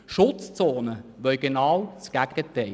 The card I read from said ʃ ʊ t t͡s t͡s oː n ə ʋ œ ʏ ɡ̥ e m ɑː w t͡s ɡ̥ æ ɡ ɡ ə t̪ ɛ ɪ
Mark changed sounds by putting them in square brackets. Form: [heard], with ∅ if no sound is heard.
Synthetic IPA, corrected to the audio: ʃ ʊ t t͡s t͡s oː n ə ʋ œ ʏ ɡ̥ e [n] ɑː w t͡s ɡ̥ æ ɡ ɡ ə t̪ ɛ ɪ